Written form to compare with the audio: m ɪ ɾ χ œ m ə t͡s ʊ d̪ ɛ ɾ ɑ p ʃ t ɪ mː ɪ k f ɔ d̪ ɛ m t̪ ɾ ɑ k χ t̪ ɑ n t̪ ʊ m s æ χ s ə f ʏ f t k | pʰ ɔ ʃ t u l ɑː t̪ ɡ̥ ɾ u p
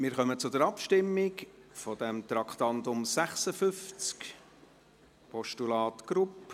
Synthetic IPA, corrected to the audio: m ɪ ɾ χ œ m ə t͡s ʊ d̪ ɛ ɾ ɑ p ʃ t ɪ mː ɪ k f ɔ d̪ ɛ m t̪ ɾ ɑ k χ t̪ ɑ n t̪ ʊ m s æ χ s ə f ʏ f t͡s k | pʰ ɔ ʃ t u l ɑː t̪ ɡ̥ ɾ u p